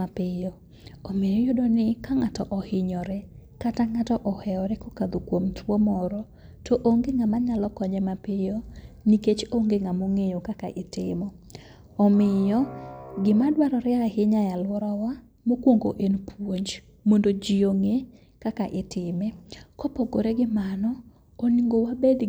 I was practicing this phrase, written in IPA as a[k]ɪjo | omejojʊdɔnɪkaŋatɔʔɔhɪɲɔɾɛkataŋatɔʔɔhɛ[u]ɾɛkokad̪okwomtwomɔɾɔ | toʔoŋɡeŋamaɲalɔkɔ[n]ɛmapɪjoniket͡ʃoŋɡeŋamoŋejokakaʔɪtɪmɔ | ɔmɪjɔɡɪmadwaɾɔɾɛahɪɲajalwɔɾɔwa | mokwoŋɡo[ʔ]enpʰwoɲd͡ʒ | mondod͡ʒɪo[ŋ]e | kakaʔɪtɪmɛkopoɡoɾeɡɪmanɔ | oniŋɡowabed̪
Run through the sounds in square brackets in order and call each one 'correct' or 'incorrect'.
incorrect: p, incorrect: ɔ, incorrect: ɲ, correct, correct

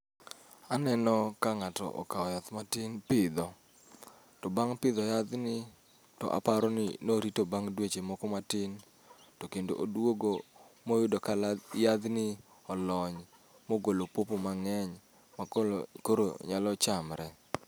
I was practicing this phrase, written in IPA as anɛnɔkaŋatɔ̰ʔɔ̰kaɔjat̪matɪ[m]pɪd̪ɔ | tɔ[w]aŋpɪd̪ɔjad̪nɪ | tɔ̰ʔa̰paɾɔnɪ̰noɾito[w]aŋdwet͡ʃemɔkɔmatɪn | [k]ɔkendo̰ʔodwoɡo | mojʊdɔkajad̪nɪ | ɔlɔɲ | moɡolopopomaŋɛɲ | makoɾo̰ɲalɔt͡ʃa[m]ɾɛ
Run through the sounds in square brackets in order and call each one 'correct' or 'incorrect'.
incorrect: n, incorrect: b, incorrect: b, incorrect: t, correct

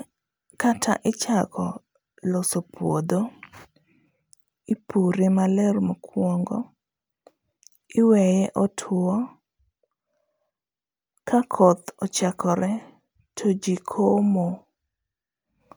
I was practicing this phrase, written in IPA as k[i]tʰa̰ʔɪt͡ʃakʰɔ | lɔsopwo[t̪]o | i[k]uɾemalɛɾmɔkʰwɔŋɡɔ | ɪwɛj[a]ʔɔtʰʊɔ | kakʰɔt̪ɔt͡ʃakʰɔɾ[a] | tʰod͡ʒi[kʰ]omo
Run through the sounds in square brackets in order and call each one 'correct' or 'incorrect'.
incorrect: a, incorrect: d̪, incorrect: p, incorrect: ɛ, incorrect: ɛ, correct

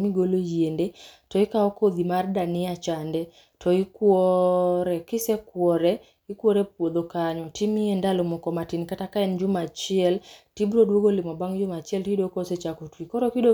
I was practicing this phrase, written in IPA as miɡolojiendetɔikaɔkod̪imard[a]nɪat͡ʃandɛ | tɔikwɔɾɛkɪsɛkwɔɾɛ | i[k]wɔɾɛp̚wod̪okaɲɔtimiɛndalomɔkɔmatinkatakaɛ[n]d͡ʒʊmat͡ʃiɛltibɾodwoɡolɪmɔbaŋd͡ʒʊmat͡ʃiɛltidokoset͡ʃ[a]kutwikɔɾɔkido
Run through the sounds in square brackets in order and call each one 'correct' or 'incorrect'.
correct, correct, correct, correct

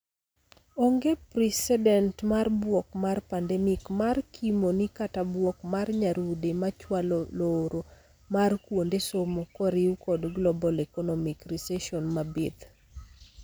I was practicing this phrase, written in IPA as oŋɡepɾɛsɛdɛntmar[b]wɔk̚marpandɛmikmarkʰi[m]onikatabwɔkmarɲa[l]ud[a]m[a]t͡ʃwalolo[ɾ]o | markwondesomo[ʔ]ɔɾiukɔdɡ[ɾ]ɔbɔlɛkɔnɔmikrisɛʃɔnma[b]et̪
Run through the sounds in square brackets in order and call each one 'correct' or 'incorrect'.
correct, correct, incorrect: ɾ, incorrect: e, correct, correct, incorrect: k, incorrect: l, correct

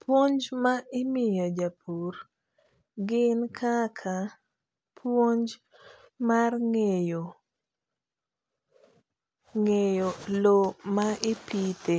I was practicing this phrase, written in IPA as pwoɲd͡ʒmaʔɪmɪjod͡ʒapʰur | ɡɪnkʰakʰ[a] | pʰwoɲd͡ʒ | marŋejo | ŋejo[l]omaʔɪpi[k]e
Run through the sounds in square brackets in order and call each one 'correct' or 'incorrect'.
correct, correct, incorrect: t

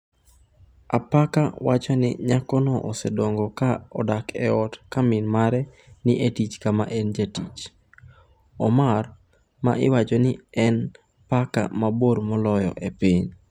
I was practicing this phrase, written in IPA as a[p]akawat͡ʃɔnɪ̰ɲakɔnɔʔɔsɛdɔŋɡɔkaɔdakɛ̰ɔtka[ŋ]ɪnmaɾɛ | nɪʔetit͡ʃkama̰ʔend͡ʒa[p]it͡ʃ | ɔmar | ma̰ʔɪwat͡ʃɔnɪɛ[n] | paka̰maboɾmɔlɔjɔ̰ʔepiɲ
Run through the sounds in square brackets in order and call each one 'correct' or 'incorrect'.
correct, incorrect: m, incorrect: t, correct

